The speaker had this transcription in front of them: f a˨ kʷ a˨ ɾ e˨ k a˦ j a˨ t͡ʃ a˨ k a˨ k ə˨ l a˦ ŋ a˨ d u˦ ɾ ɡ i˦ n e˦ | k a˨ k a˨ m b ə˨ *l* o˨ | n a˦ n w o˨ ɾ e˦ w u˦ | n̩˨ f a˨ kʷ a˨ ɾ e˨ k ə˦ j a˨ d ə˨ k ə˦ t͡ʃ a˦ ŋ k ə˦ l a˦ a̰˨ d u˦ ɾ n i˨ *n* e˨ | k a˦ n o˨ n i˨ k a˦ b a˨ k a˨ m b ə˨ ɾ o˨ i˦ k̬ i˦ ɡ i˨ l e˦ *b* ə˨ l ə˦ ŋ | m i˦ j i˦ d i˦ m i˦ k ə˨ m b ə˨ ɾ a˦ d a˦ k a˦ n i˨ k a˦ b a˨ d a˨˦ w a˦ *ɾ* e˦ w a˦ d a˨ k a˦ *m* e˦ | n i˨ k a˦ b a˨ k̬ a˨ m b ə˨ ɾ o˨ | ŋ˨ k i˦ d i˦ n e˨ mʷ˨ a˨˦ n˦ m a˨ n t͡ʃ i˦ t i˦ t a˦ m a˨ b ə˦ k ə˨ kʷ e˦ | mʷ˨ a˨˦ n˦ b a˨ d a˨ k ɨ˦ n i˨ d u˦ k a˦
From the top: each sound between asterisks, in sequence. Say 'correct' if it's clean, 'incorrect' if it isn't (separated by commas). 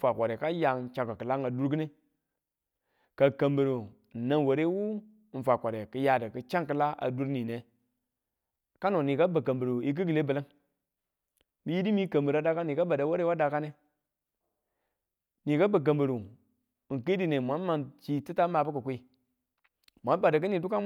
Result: incorrect, correct, correct, correct, incorrect